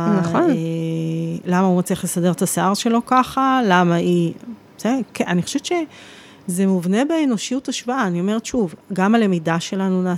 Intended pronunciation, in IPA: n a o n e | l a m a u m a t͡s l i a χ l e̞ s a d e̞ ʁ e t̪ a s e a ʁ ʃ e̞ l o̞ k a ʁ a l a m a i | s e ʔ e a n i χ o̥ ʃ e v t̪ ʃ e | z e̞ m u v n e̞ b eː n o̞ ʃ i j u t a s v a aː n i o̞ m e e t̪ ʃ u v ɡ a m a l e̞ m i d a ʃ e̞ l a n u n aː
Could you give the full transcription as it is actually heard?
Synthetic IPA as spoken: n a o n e | l a m a u m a t͡s l i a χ l e̞ s a d e̞ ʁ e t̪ a s e a ʁ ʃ e̞ l o̞ k a χ a l a m a i | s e k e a n i χ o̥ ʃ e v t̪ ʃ e | z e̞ m u v n e̞ b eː n o̞ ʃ i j u t a ʃ v a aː n i o̞ m e e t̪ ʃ u v ɡ a m a l e̞ m i d a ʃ e̞ l a n u n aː